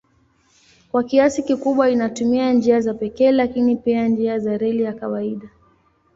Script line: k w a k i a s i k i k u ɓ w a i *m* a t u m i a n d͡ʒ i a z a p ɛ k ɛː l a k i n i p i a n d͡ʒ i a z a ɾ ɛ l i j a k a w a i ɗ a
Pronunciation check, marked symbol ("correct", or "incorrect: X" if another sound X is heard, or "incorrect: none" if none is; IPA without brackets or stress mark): incorrect: n